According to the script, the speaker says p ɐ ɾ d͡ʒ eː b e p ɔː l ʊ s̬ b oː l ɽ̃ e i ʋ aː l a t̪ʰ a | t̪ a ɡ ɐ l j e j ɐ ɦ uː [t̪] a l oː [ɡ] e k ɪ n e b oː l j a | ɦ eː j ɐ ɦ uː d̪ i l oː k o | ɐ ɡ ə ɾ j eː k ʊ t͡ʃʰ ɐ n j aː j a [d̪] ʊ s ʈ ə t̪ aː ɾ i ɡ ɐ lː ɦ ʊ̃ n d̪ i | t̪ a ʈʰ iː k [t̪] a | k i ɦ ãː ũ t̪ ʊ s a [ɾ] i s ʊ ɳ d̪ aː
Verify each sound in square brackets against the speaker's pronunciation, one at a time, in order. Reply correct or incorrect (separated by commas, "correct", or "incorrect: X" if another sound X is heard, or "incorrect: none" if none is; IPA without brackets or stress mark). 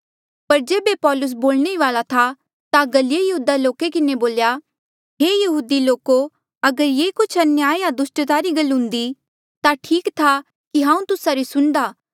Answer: incorrect: d̪, incorrect: k, correct, incorrect: t̪ʰ, correct